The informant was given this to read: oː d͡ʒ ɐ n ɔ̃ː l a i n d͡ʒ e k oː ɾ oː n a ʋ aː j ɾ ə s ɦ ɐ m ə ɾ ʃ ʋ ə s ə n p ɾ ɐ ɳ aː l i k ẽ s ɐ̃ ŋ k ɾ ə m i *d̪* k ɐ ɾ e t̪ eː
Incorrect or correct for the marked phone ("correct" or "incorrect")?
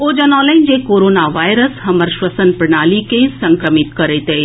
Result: incorrect